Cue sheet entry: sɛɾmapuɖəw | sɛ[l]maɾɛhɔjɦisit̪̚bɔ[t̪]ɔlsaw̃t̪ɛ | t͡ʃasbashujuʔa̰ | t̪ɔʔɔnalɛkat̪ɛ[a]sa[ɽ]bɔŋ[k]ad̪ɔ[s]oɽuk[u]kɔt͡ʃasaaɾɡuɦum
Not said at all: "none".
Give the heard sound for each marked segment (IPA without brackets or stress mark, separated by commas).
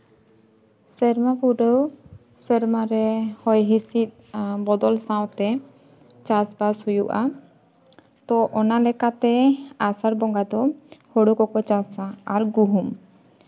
ɾ, d̪, a, ɾ, ɡ, h, ɔ